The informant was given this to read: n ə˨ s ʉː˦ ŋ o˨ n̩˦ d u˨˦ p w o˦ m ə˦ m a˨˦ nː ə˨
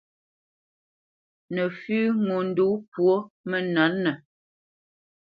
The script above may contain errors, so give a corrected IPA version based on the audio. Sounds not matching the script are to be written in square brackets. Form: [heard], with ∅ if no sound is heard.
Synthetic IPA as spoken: n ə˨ [f] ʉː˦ ŋ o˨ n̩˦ d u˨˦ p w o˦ m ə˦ [n] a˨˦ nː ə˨